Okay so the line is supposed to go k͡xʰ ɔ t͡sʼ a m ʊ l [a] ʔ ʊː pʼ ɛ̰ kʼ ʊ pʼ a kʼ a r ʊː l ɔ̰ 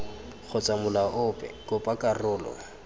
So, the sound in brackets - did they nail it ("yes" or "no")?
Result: yes